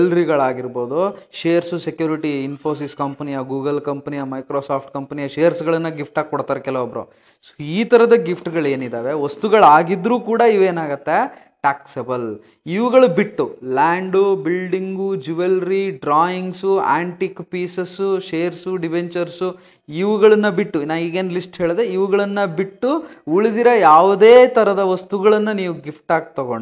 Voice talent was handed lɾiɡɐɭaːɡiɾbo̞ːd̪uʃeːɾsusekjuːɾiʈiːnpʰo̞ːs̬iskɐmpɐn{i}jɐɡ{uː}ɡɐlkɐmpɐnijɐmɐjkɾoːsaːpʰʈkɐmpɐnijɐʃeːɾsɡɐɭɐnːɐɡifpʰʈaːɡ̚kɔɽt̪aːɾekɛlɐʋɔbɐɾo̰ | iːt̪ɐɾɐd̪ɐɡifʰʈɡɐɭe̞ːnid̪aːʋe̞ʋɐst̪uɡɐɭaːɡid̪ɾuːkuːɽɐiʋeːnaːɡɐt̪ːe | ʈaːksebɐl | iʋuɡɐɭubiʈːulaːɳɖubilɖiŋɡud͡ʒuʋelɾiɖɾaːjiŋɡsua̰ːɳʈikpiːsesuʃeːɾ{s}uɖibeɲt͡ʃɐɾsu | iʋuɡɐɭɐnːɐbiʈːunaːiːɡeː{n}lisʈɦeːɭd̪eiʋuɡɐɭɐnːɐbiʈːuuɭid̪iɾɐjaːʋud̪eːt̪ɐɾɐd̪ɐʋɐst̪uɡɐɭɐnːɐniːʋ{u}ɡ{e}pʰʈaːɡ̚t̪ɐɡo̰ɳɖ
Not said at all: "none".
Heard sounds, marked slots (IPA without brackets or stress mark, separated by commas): i, uː, s, n, u, i